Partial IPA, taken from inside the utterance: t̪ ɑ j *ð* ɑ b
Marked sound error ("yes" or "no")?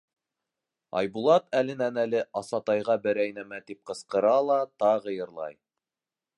yes